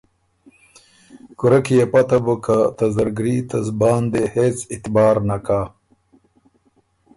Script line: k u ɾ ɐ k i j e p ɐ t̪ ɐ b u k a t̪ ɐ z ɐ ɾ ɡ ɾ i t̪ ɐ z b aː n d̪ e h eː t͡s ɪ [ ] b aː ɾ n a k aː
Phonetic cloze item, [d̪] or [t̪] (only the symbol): t̪